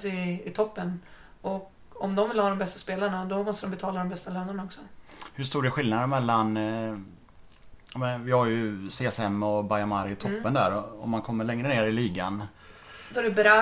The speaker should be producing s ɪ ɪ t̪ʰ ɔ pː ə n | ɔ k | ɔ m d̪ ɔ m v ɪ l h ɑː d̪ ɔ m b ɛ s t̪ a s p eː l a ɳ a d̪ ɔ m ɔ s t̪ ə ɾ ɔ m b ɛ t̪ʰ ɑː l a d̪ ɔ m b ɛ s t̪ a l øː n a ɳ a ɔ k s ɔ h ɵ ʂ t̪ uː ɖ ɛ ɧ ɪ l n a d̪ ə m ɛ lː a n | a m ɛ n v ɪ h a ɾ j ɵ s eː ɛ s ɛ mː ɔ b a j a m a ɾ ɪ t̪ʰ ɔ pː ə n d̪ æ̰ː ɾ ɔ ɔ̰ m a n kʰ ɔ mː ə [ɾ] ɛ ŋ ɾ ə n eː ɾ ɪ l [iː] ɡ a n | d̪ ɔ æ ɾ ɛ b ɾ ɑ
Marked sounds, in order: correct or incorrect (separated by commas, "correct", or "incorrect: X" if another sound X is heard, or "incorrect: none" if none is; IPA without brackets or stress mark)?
incorrect: ɭ, correct